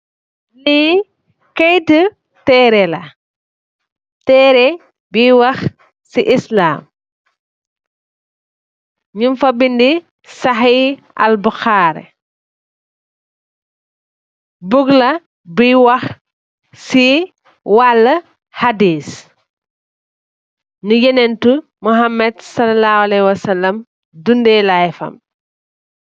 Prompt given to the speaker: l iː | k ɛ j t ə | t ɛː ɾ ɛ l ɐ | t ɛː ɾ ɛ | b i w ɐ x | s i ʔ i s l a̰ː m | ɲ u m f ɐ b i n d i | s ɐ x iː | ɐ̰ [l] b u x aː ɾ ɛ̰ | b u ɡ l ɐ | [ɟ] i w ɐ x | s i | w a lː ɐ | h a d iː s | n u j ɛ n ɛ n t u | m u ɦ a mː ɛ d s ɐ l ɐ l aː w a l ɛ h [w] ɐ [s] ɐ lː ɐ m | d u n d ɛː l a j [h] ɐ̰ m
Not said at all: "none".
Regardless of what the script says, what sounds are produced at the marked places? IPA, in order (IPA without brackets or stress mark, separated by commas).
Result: l, b, w, s, f